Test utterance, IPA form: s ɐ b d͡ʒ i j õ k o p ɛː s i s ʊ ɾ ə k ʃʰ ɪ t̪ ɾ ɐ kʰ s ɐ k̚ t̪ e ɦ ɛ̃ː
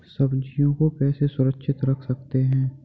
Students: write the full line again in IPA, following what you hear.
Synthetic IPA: s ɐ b d͡ʒ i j õ k o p ɛː s e s ʊ ɾ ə k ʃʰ ɪ t̪ ɾ ɐ kʰ s ɐ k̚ t̪ e ɦ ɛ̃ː

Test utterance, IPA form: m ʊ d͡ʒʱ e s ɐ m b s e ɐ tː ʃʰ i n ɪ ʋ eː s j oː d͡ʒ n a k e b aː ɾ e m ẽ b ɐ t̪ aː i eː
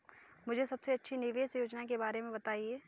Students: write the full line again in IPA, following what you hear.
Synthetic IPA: m ʊ d͡ʒʱ e s ɐ b s e ɐ tː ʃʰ i n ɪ ʋ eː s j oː d͡ʒ n a k e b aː ɾ e m ẽ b ɐ t̪ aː i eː

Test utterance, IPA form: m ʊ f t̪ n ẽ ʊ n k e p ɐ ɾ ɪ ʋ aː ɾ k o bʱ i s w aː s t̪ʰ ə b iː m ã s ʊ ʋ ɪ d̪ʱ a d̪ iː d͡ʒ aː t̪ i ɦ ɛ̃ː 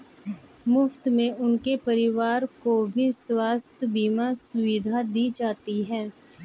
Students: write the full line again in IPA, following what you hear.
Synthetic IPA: m ʊ f t̪ m ẽ ʊ n k e p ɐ ɾ ɪ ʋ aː ɾ k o bʱ i s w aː s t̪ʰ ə b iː m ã s ʊ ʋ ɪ d̪ʱ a d̪ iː d͡ʒ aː t̪ i ɦ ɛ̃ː

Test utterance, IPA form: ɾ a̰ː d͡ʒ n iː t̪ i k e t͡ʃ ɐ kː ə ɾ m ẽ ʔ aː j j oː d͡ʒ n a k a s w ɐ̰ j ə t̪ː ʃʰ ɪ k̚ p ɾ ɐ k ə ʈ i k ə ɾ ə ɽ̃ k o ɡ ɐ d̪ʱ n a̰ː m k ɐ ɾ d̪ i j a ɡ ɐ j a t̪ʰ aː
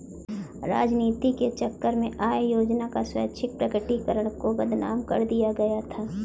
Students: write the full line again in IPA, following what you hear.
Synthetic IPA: ɾ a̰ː d͡ʒ n iː t̪ i k e t͡ʃ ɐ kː ə ɾ m ẽ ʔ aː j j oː d͡ʒ n a k a s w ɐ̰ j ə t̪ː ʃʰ ɪ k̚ p ɾ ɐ k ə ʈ i k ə ɾ ə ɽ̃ k o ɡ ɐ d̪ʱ n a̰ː m k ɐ ɾ d̪ i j a ɡ ɐ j a t̪ʰ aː

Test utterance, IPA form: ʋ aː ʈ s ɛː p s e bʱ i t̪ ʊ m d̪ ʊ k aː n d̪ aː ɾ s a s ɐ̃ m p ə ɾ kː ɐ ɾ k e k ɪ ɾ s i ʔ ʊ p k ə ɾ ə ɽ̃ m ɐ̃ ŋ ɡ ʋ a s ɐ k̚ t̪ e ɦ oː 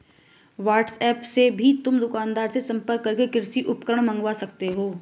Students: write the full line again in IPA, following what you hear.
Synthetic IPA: ʋ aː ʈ s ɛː p s e bʱ i t̪ ʊ m d̪ ʊ k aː n d̪ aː ɾ s e s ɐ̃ m p ə ɾ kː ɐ ɾ k e k ɪ ɾ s i ʔ ʊ p k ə ɾ ə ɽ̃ m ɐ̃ ŋ ɡ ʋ a s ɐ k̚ t̪ e ɦ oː

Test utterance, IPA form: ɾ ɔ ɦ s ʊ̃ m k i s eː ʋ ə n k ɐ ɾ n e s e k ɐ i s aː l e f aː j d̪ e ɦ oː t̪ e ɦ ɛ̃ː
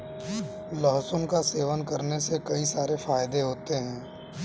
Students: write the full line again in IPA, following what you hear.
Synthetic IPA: l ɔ ɦ s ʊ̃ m k a s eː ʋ ə n k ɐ ɾ n e s e k ɐ i s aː ɾ e f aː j d̪ e ɦ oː t̪ e ɦ ɛ̃ː

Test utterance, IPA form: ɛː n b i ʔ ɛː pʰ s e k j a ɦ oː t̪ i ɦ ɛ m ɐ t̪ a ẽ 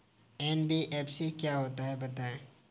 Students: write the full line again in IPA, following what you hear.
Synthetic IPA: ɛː n b i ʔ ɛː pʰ s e k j a ɦ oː t̪ a ɦ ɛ b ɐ t̪ a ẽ

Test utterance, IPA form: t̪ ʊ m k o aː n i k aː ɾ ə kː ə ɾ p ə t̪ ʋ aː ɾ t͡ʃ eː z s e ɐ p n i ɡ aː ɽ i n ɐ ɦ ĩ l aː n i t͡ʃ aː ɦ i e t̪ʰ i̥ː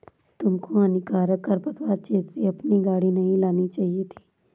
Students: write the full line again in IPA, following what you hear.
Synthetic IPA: t̪ ʊ m k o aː n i k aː ɾ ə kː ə ɾ p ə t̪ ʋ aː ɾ t͡ʃ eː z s e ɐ p n i ɡ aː ɽ i n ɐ ɦ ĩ l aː n i t͡ʃ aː ɦ i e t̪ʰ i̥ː

